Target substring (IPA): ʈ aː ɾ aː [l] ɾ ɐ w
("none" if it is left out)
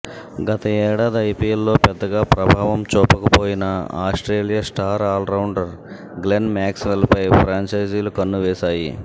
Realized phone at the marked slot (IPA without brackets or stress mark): l